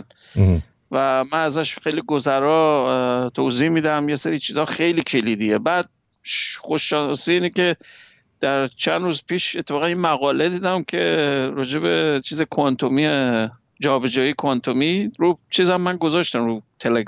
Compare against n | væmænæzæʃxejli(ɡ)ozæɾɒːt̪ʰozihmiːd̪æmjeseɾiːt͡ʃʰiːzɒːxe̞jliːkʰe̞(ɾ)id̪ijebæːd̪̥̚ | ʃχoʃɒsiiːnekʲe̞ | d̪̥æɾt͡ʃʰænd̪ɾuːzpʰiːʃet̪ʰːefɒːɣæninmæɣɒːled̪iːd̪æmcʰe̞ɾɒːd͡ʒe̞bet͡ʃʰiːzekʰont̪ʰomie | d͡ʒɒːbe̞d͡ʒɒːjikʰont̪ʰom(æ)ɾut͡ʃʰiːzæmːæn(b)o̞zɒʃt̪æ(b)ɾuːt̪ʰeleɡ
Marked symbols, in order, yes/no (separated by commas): yes, no, no, no, no